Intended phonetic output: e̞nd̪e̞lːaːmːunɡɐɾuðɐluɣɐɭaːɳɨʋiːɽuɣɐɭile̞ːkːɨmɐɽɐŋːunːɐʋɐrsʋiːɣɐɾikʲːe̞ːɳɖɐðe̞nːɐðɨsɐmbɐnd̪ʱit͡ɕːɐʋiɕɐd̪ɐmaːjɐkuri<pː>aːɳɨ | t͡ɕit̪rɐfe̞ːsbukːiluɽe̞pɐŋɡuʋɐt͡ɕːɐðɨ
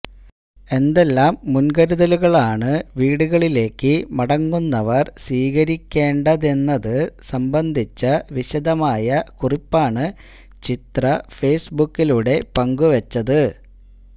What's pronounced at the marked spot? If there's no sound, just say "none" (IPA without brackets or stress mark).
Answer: pː